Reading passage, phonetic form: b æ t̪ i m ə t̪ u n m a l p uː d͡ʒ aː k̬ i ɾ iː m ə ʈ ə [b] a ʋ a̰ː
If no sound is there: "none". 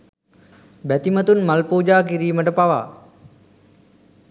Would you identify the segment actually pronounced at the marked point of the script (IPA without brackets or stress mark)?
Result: p